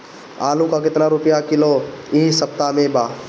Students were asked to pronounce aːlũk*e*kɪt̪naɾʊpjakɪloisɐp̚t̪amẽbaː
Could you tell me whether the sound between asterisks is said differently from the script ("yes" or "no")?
yes